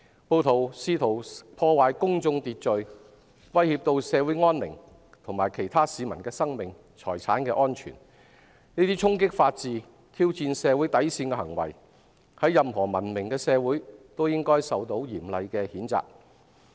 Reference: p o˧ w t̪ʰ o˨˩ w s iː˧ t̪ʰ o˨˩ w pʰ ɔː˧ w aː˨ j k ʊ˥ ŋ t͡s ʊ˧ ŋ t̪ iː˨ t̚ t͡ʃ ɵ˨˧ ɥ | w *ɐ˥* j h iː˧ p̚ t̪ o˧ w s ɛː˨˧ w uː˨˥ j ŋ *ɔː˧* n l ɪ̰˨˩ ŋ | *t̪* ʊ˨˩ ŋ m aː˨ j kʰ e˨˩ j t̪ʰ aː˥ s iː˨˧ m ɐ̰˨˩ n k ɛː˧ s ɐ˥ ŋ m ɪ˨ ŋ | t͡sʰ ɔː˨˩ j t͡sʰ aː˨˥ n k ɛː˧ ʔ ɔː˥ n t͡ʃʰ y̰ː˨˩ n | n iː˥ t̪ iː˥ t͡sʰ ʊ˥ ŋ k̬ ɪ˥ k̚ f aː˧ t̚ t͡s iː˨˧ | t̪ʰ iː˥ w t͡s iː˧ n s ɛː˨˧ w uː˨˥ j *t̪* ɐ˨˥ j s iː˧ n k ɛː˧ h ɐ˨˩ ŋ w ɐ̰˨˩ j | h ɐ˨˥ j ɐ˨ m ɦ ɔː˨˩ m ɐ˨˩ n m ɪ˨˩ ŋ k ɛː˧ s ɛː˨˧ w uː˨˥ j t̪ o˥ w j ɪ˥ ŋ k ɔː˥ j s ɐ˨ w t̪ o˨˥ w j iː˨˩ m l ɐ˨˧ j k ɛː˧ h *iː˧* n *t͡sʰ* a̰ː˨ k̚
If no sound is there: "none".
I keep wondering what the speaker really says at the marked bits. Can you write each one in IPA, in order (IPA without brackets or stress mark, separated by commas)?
ɐ˥, ɔː˥, t̪ʰ, t̪, iː˨˥, t͡s